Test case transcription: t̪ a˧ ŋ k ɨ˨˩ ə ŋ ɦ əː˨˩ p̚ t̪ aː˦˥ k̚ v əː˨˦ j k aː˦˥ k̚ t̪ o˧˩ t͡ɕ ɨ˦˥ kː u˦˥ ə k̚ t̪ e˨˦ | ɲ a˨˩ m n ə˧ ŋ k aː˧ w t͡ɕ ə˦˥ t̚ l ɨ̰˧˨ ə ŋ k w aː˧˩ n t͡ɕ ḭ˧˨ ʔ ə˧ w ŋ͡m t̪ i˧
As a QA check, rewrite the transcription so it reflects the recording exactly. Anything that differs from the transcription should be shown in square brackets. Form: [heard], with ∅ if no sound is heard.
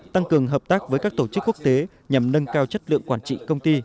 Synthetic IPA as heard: t̪ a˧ ŋ k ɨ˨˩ ə ŋ ɦ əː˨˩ p̚ t̪ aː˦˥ k̚ v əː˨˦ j k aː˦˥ k̚ t̪ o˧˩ t͡ɕ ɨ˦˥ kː u˦˥ ə k̚ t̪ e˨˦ | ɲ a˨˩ m n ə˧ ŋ k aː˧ w t͡ɕ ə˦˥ t̚ l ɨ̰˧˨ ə ŋ k w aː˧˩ n t͡ɕ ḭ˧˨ [k] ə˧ w ŋ͡m t̪ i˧